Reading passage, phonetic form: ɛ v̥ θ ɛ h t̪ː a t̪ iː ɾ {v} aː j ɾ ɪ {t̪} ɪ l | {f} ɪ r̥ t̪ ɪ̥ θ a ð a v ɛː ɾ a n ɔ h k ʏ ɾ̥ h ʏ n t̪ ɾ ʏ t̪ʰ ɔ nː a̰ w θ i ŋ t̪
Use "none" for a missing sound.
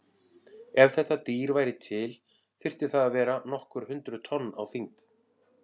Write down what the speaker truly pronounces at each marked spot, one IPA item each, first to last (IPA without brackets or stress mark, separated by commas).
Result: v, t̪ʰ, f